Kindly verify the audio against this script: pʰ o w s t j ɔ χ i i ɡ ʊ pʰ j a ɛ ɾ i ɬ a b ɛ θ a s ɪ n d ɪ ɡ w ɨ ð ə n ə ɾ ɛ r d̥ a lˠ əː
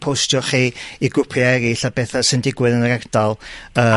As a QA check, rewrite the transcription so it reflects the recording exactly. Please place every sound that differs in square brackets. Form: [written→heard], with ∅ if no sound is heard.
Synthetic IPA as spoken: pʰ o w s t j ɔ χ i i ɡ ʊ pʰ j a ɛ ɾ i ɬ a b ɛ θ a s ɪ n d ɪ ɡ w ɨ ð ə n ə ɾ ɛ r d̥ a lˠ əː